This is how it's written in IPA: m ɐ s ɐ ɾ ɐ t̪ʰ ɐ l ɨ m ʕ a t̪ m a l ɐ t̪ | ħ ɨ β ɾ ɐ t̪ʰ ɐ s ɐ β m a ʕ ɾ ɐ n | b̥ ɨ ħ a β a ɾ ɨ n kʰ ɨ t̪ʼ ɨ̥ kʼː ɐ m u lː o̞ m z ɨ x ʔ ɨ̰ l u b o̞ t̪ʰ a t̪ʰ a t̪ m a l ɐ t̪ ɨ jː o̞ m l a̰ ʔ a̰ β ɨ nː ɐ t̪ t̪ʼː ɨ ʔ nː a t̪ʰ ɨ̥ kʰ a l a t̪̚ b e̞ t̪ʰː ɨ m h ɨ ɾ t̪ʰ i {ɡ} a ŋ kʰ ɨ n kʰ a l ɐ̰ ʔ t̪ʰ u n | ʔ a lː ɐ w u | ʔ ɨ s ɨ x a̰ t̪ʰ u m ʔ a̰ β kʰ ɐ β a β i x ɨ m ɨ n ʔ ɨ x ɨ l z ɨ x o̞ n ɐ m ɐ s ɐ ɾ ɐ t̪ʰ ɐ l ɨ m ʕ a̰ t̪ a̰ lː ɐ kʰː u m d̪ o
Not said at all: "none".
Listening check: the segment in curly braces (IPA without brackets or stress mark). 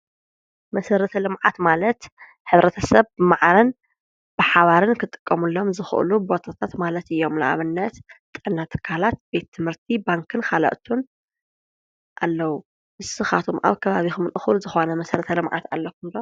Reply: b